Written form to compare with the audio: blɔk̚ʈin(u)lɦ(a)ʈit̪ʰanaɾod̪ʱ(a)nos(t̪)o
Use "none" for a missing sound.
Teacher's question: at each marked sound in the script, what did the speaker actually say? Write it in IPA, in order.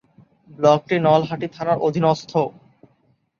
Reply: ɔ, a, i, t̪ʰ

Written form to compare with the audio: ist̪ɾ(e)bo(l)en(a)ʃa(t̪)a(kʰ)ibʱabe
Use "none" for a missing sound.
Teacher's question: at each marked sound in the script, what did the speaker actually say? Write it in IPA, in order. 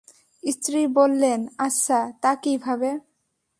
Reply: i, lː, a, t̪, k

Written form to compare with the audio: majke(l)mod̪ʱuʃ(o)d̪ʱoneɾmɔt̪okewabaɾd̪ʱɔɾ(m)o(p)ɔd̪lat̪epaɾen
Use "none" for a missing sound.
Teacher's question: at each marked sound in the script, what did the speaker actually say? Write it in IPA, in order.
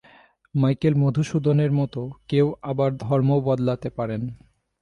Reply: l, u, m, b

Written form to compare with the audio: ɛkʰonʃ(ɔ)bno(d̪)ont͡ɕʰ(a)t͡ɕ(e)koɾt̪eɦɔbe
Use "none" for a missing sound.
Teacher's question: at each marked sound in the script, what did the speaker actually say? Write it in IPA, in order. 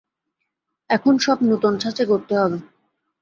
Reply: ɔ, t̪, a, e

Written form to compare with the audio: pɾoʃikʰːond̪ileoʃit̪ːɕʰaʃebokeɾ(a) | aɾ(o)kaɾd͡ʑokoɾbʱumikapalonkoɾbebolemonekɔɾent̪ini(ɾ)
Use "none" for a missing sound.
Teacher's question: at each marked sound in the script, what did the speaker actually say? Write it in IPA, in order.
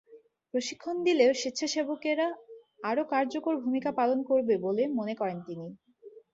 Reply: a, o, none

